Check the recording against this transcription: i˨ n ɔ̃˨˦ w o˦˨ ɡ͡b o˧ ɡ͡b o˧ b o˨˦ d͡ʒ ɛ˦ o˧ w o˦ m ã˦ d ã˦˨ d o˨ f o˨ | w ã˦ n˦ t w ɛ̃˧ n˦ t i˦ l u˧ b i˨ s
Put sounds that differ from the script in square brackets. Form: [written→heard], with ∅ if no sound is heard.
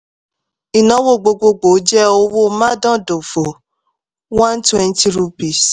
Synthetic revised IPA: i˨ n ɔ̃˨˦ w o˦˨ ɡ͡b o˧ ɡ͡b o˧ [b→ɡ͡b] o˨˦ d͡ʒ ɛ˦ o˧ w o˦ m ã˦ d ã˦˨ d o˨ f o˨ | w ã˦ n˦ t w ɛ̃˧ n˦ t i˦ [l→ɾ] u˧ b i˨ s